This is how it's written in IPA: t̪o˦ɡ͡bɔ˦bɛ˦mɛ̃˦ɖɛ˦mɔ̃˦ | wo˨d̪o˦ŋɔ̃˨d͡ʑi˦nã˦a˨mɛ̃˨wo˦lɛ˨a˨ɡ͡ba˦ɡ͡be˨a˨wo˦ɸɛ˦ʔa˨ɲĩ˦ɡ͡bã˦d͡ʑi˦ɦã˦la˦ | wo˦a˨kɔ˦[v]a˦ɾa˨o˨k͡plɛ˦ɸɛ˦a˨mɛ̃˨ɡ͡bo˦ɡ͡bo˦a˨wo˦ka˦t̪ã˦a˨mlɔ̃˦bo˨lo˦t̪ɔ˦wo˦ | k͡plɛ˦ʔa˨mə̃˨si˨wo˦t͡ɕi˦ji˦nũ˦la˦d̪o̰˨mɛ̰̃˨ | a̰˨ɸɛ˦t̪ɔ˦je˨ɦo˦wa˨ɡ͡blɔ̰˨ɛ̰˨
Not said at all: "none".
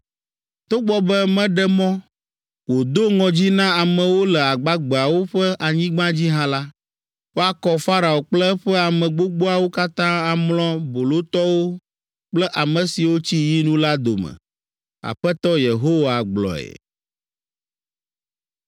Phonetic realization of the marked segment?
f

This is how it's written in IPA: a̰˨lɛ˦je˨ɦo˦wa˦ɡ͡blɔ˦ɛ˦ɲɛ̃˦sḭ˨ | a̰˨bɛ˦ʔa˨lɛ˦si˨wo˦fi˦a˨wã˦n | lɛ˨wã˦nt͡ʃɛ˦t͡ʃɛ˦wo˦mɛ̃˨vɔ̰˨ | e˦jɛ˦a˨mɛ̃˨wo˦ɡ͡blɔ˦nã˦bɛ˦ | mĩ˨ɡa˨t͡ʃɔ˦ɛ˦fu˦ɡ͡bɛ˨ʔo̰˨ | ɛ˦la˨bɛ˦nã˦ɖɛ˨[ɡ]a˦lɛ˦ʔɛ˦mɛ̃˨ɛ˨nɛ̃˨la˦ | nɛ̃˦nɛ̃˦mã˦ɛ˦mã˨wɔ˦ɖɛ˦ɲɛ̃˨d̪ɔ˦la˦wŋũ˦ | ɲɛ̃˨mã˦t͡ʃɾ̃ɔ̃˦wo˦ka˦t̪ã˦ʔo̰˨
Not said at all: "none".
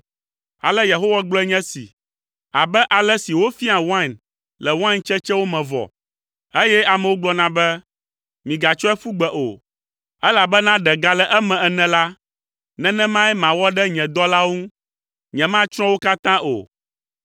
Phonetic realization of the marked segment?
ɡ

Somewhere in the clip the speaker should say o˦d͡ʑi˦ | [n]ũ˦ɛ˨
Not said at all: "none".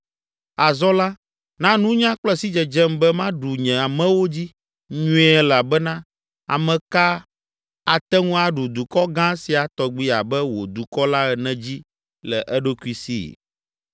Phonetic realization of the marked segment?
ɲ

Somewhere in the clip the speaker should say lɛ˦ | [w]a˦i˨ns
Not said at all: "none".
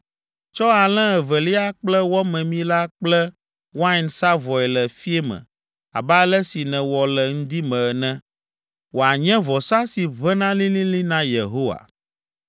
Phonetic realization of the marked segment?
w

